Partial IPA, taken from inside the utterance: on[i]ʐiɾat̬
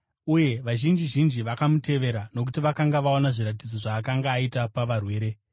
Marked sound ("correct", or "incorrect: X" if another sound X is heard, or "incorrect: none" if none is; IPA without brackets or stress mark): incorrect: a